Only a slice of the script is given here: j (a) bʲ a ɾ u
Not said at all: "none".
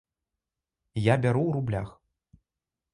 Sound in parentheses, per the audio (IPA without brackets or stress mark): a